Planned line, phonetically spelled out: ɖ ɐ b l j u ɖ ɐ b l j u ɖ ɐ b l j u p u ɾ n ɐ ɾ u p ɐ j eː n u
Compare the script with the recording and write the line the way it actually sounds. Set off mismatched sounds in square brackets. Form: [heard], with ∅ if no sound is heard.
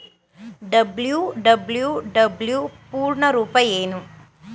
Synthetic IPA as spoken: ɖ ɐ b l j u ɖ ɐ b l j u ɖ ɐ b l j u p [uː] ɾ [ɳ] ɐ ɾ [uː] p ɐ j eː n u